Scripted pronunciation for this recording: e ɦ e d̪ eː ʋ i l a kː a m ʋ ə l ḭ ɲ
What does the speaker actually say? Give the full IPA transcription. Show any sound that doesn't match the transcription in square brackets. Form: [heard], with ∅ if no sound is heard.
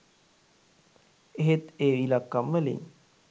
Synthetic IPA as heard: e ɦ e [t̪] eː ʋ i l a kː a m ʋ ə l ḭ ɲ